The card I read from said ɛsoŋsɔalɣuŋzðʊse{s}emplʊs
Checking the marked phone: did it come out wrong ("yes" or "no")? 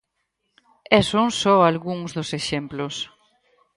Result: yes